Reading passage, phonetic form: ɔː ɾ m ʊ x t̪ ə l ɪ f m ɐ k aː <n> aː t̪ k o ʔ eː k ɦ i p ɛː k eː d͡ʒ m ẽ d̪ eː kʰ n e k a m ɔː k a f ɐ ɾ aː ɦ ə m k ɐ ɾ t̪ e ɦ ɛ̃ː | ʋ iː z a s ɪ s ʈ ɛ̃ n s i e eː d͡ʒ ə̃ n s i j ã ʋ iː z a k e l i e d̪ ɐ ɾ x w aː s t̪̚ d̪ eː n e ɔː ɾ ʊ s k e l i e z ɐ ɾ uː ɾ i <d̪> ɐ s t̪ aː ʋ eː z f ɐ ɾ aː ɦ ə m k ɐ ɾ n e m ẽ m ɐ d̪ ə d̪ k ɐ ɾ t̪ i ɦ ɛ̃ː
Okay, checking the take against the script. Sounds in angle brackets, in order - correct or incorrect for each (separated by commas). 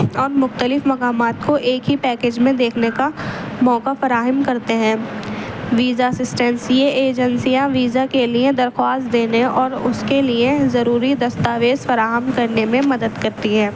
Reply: incorrect, correct